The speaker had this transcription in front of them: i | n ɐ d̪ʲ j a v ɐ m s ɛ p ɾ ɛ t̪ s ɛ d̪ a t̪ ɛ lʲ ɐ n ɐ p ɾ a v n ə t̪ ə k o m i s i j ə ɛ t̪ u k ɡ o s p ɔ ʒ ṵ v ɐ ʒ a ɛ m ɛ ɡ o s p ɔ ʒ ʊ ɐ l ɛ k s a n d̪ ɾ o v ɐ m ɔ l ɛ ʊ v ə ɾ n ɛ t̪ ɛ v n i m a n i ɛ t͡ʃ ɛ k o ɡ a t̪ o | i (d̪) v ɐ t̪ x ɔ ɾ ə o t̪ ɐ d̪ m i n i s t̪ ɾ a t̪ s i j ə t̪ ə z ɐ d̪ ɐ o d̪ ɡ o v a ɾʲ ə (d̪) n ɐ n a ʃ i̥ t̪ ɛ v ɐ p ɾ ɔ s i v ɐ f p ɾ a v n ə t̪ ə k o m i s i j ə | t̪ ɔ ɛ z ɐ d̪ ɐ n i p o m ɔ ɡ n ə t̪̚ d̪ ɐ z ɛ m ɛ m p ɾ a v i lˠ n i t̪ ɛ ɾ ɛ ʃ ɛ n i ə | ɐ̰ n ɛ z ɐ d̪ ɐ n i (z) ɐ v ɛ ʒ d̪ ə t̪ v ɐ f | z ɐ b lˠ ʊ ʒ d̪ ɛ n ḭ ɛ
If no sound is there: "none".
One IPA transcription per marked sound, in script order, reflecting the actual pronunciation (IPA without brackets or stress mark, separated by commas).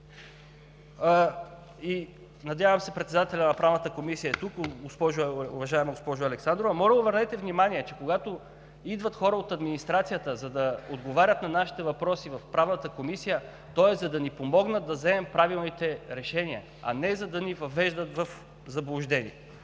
d̪, t̪, v